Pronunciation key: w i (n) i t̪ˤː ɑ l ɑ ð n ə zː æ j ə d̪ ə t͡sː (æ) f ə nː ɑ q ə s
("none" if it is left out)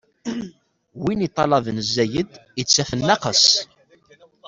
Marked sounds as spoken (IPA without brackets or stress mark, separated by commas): n, æ